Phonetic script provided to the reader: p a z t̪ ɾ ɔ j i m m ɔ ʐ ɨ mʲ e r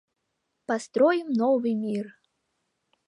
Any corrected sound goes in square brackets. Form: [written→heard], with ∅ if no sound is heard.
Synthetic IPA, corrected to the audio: p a [z→s] t̪ ɾ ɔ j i m [m→n] ɔ [ʐ→v] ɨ mʲ [e→i] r